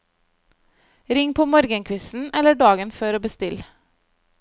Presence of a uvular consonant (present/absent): absent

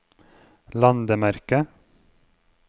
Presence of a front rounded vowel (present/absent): absent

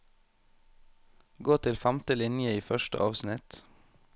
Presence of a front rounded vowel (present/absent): present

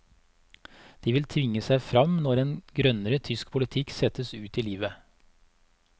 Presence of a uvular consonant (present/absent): absent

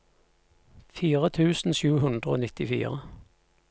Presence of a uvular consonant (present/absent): present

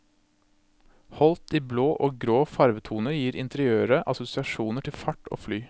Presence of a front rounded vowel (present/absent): present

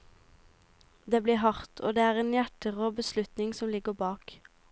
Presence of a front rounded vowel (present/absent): absent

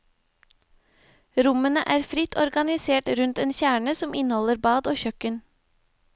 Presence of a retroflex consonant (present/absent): present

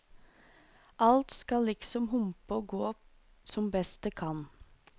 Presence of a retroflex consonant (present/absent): absent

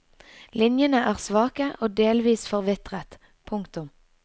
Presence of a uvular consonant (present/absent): present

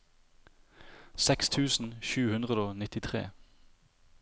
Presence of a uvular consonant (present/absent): present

